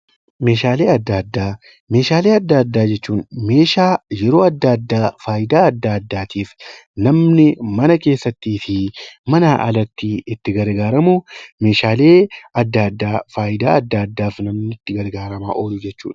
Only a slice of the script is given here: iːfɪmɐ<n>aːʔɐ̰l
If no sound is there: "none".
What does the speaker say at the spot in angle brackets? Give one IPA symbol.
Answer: n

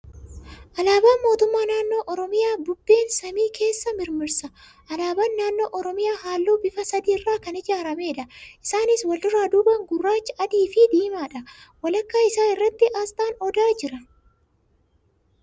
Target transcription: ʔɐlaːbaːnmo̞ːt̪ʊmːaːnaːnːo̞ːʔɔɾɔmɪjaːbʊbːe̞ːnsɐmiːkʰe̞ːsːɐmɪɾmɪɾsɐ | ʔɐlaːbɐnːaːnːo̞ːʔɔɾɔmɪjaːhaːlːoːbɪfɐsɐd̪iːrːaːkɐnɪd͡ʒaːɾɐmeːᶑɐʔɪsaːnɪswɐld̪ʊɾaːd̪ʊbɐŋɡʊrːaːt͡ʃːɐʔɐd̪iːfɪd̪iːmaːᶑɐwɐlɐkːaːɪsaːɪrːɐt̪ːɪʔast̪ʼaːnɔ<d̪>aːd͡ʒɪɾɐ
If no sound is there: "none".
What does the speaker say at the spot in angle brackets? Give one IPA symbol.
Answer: d̪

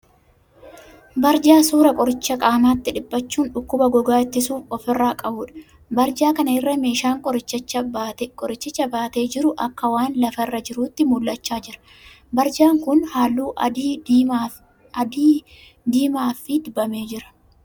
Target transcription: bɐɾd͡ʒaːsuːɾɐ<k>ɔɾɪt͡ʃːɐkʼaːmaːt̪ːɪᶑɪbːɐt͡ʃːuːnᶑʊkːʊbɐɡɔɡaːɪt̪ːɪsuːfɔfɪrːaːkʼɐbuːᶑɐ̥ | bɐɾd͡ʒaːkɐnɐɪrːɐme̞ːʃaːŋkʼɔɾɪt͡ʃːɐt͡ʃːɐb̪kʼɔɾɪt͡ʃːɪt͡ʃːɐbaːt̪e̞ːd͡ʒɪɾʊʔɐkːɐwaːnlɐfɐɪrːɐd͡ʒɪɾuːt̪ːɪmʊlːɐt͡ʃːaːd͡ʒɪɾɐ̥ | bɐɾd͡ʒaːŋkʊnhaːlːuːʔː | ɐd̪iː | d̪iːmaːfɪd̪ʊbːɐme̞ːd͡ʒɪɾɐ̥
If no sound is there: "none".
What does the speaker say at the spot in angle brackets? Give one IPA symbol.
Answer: kʼ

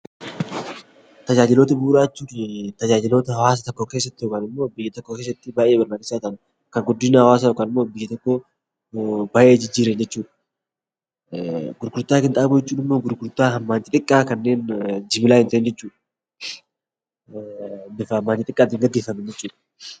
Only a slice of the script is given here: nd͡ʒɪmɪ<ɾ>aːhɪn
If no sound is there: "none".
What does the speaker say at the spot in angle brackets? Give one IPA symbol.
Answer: l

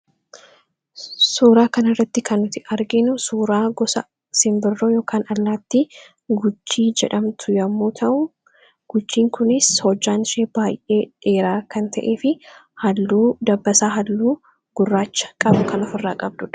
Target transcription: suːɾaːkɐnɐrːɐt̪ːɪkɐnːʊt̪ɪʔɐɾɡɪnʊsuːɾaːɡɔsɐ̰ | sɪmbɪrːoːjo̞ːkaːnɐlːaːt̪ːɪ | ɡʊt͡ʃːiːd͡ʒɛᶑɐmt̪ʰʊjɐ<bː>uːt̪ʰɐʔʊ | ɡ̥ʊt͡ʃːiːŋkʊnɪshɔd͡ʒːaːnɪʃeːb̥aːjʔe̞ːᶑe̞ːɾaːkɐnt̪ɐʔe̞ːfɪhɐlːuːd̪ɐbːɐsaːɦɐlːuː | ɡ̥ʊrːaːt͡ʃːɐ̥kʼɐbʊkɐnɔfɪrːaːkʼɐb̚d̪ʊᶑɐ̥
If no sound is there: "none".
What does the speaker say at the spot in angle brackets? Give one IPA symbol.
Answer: mː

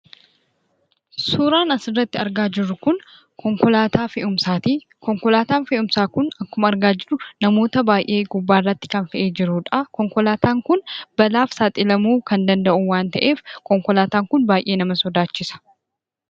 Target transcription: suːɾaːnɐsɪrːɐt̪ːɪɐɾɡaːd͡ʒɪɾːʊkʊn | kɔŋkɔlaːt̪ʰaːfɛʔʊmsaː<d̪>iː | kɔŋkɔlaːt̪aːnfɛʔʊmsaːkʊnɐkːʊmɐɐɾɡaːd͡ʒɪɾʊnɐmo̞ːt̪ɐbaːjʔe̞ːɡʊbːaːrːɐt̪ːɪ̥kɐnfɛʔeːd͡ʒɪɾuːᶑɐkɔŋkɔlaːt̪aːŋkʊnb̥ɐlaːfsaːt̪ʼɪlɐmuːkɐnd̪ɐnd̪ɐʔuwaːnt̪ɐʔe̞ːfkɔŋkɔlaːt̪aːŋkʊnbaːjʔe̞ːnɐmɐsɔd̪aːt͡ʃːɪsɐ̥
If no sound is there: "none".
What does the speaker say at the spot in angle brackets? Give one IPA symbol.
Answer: t̪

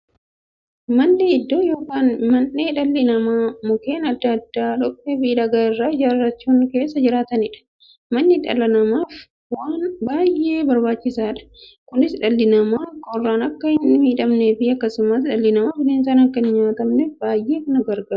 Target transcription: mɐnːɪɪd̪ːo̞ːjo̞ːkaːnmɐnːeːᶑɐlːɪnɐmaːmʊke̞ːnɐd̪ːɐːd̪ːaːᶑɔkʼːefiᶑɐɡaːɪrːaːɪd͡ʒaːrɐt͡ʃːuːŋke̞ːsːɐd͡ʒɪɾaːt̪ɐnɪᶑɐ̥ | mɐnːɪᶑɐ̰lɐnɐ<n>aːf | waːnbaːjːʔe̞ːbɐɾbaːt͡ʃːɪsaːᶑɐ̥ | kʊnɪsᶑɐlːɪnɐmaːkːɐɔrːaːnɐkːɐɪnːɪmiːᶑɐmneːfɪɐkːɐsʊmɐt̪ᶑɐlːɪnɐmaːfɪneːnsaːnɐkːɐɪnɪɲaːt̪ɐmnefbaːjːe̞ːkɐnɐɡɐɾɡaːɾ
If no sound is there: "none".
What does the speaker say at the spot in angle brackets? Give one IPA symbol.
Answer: m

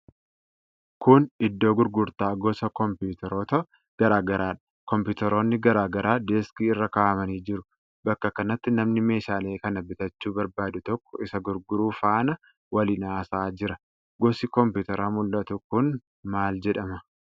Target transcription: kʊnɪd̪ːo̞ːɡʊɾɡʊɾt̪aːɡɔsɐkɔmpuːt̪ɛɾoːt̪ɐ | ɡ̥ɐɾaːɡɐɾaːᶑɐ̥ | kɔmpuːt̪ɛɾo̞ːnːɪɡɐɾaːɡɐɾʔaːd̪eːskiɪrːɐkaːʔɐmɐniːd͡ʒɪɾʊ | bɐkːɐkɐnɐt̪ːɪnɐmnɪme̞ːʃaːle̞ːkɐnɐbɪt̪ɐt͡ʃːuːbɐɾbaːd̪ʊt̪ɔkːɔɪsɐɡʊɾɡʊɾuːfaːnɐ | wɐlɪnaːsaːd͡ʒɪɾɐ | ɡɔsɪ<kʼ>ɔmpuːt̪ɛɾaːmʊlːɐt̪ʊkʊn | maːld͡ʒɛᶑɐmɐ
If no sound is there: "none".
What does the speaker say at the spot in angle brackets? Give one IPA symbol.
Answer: k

